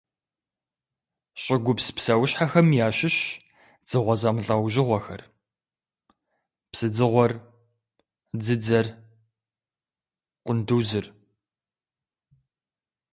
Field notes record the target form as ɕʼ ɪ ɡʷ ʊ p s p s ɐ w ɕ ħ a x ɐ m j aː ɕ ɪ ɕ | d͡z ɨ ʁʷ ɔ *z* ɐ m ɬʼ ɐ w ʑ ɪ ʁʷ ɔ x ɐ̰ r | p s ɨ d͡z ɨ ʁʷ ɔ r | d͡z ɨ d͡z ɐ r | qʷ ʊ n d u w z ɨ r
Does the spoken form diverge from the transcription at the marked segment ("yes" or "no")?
no